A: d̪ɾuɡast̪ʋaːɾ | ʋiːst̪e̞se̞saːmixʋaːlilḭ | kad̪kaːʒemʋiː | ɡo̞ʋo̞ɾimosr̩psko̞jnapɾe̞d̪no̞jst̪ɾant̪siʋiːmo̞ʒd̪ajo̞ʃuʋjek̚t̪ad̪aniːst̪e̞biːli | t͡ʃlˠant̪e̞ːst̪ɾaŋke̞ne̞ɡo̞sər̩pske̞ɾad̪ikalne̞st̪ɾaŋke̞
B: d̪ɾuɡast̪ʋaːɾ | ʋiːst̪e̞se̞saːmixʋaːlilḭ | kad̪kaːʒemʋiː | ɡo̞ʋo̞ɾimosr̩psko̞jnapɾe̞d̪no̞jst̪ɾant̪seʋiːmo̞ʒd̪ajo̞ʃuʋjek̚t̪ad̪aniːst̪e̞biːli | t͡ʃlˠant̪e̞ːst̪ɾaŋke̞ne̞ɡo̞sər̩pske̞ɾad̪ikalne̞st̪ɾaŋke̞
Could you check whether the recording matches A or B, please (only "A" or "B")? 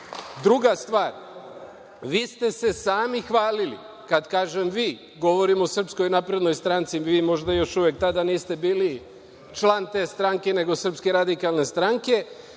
A